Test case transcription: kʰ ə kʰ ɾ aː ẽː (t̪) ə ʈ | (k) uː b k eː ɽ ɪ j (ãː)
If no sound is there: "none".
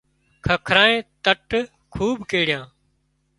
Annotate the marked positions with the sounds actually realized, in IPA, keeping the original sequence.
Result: t̪, kʰ, ãː

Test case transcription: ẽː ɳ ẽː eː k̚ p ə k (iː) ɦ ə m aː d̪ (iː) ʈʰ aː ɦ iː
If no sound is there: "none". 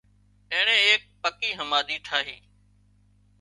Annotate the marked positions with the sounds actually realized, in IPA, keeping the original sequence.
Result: iː, iː

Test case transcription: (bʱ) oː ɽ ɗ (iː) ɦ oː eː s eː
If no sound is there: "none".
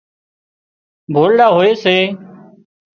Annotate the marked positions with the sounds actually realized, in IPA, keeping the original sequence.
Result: bʱ, aː

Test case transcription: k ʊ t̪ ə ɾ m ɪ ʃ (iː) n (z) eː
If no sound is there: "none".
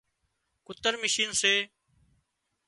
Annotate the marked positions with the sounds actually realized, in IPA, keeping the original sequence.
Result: iː, s

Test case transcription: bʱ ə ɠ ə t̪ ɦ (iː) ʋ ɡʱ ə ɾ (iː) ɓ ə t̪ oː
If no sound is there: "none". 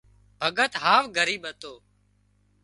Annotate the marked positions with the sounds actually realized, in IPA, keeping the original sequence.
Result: aː, iː

